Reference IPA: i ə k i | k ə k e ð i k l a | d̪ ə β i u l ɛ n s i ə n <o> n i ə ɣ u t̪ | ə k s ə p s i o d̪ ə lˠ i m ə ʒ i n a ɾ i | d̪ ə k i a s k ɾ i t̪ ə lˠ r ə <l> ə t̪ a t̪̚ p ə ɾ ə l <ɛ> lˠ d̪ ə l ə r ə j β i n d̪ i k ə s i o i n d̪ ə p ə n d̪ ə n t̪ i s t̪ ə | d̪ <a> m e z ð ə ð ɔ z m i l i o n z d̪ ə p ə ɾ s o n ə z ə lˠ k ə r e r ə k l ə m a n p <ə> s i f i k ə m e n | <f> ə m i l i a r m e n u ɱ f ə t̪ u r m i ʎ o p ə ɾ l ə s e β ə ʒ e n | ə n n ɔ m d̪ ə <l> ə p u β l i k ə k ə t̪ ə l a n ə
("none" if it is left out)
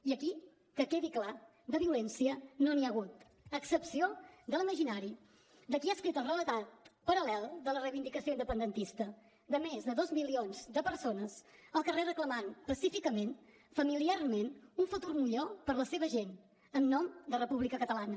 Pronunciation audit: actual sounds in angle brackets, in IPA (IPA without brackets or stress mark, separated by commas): o, l, ɛ, ə, ə, f, r